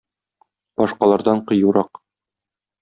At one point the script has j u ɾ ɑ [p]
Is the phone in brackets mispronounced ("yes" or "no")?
yes